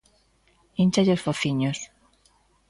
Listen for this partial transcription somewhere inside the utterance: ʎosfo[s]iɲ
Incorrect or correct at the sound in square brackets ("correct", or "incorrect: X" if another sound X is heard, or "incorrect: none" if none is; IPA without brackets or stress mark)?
incorrect: θ